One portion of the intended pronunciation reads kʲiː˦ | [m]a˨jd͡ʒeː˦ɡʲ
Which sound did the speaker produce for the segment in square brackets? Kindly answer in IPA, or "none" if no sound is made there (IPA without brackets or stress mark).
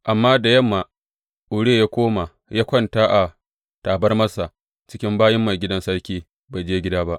b